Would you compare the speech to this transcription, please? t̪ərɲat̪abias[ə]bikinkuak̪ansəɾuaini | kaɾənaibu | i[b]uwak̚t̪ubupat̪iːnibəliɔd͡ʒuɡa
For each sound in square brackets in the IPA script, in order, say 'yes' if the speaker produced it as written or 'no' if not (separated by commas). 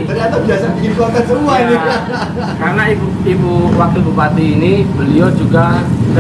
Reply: no, yes